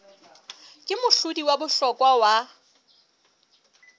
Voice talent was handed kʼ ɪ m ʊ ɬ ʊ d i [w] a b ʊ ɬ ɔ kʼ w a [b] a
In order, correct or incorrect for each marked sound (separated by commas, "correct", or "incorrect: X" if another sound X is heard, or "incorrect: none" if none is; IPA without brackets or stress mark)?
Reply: correct, incorrect: w